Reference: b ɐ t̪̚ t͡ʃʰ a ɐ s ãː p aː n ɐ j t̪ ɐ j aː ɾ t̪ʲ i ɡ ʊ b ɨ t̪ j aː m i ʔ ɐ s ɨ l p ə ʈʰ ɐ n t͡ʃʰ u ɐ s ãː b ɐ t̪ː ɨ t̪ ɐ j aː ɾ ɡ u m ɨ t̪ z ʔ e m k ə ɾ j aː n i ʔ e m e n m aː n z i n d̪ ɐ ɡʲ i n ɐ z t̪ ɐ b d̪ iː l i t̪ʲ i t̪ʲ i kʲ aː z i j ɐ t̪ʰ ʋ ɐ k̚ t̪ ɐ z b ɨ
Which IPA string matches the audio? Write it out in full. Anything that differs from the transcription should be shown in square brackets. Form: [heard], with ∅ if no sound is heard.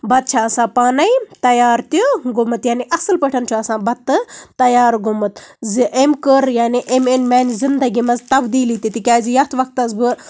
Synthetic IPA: b ɐ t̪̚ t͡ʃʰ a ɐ s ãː p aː n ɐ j t̪ ɐ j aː ɾ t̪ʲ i ɡ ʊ [m] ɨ t̪ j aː [n] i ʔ ɐ s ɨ l p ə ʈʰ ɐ n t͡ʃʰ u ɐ s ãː b ɐ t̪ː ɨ t̪ ɐ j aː ɾ ɡ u m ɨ t̪ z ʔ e m k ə ɾ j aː n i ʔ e m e n m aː n z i n d̪ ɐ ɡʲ i [m] ɐ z t̪ ɐ b d̪ iː l i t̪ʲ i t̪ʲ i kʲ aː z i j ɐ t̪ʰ ʋ ɐ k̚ t̪ ɐ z b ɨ